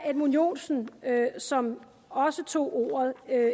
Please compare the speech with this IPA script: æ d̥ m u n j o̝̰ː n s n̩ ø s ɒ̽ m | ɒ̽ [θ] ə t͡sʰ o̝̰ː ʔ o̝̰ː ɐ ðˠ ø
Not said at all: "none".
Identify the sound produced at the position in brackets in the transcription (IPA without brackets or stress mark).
s